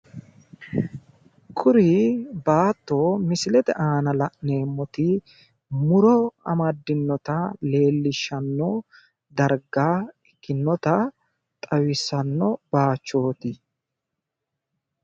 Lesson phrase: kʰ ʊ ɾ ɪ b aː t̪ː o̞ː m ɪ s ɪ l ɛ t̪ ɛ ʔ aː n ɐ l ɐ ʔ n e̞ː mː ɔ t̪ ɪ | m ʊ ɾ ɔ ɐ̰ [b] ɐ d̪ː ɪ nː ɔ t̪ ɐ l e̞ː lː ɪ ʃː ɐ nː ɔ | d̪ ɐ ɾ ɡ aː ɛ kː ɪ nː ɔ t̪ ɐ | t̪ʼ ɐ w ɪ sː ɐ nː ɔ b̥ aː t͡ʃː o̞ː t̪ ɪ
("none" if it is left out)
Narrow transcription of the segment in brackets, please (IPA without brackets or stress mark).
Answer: m